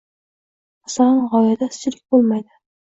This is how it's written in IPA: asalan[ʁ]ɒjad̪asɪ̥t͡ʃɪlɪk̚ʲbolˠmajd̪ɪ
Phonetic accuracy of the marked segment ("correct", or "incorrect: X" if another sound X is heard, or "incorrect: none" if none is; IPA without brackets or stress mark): correct